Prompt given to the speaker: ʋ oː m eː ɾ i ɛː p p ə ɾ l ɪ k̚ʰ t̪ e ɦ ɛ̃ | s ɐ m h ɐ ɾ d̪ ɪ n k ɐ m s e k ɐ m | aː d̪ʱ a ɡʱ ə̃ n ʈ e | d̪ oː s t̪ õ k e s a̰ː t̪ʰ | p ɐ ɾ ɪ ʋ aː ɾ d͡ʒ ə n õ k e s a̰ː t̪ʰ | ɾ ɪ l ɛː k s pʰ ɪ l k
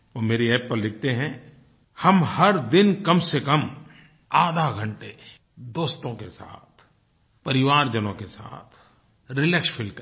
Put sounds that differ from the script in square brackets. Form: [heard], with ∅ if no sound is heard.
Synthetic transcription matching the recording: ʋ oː m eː ɾ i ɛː p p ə ɾ l ɪ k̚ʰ t̪ e ɦ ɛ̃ | [h] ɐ m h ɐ ɾ d̪ ɪ n k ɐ m s e k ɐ m | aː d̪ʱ a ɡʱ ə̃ [ɳ] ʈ e | d̪ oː s t̪ õ k e s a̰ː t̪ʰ | p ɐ ɾ ɪ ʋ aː ɾ d͡ʒ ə n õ k e s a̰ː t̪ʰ | ɾ ɪ l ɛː k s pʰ ɪ l k